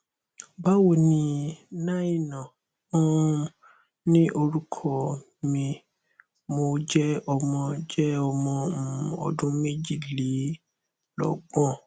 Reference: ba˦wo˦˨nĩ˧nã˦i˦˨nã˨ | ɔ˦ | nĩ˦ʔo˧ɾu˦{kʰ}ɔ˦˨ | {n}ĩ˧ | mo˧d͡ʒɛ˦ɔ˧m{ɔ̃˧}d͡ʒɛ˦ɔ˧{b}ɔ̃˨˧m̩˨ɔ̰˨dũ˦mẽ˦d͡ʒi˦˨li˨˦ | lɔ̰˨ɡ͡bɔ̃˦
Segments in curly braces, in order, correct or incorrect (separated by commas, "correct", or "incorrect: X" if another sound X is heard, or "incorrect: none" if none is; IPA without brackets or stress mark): correct, incorrect: m, correct, incorrect: m